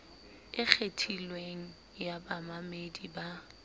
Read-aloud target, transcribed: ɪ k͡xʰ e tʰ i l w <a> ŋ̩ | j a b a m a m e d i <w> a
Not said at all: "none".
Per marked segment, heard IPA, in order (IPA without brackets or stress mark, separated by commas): e, b